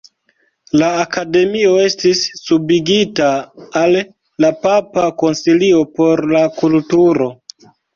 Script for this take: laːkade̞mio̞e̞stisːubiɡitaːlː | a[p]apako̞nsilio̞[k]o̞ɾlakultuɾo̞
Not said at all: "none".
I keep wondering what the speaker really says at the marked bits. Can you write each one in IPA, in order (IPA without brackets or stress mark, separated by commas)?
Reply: p, p